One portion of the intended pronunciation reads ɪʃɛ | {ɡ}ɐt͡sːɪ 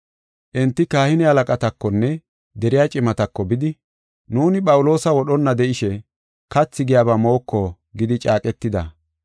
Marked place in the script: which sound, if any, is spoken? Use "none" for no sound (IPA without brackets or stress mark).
k